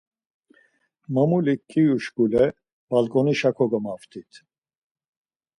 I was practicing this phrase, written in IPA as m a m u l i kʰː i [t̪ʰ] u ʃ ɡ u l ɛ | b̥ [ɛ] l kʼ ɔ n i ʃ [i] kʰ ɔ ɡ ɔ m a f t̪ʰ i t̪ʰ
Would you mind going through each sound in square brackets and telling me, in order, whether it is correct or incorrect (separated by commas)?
incorrect, incorrect, incorrect